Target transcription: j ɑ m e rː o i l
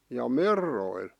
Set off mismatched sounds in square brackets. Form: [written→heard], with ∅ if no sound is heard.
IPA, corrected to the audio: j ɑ m e rː o i l